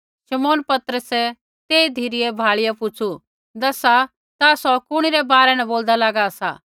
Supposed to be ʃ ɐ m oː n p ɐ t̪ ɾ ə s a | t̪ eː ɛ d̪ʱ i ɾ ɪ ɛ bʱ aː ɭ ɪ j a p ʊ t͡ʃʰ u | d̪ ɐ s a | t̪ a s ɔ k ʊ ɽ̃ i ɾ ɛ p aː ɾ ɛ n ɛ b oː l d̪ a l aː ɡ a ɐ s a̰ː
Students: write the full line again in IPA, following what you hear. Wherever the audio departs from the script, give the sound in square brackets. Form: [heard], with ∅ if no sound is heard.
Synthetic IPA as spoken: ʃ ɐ m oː n p ɐ t̪ ɾ ə s [ɛ] | t̪ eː [i] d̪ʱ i ɾ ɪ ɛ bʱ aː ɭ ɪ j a p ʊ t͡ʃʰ u | d̪ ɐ s a | t̪ a s ɔ k ʊ ɽ̃ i ɾ ɛ [b] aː ɾ ɛ n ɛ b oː l d̪ a l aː ɡ a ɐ s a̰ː